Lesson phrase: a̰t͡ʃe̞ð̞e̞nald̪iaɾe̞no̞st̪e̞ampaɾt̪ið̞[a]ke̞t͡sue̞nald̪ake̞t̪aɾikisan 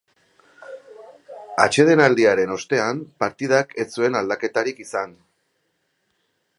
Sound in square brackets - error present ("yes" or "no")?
no